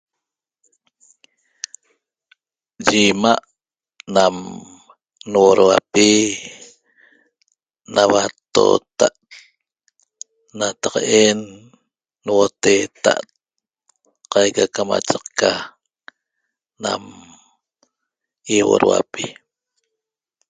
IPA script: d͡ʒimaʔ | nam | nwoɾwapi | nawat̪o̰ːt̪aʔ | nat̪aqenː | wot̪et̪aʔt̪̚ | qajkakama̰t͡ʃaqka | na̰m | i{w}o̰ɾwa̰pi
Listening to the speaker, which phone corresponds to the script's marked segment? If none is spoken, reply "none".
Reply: w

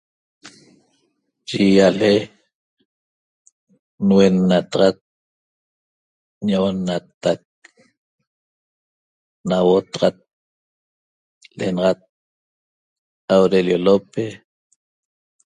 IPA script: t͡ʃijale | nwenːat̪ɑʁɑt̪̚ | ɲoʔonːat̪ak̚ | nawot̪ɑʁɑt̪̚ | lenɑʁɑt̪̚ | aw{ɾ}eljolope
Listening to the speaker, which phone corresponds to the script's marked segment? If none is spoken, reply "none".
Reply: ɾ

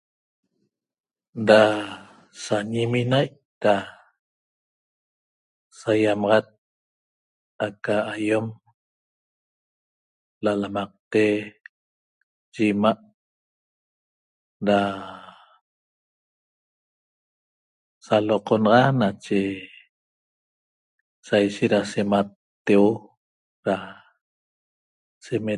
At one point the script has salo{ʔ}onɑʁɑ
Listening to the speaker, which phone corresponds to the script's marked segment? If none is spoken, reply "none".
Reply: q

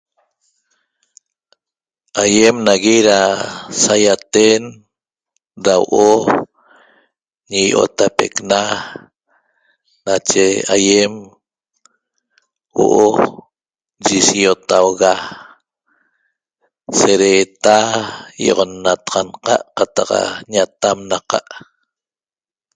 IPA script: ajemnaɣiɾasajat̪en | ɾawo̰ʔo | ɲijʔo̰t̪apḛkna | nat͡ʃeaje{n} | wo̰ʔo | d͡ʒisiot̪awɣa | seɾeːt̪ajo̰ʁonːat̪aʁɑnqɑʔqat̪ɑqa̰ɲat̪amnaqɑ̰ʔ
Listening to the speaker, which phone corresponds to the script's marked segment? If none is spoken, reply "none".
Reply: m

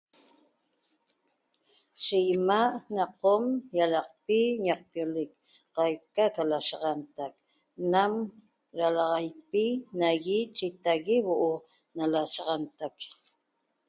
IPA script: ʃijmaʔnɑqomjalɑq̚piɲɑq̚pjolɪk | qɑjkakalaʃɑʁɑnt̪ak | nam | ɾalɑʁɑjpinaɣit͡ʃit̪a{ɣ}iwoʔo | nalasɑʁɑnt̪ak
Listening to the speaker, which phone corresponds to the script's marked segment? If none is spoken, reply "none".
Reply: ɣ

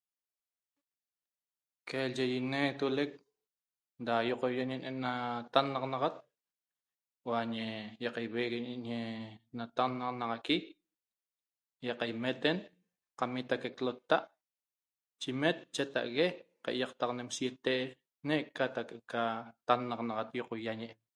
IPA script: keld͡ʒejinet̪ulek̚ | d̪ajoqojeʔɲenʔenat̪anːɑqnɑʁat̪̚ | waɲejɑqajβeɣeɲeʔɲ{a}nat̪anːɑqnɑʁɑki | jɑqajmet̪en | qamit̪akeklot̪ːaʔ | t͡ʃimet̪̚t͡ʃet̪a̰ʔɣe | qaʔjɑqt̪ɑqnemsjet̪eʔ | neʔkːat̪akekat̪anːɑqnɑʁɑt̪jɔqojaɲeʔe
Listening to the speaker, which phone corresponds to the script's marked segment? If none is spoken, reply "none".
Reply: e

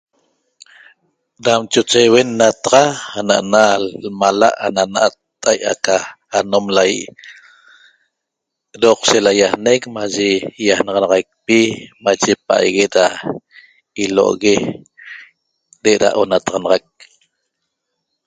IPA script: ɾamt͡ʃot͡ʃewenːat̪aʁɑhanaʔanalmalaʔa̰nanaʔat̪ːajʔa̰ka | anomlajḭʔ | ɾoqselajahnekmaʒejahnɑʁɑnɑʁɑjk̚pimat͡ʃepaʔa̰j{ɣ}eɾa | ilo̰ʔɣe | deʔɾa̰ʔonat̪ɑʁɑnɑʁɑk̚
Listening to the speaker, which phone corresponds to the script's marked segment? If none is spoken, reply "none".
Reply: ɣ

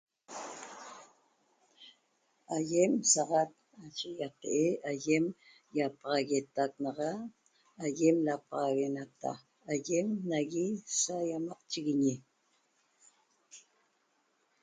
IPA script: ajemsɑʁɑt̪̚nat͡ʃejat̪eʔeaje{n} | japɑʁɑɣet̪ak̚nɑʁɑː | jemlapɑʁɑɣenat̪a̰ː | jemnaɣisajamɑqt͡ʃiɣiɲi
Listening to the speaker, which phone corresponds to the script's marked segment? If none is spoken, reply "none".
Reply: m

